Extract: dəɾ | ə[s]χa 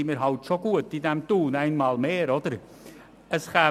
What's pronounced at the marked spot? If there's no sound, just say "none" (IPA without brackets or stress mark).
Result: s